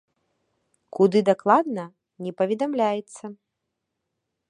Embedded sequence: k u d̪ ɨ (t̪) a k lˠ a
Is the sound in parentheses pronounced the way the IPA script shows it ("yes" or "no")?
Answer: no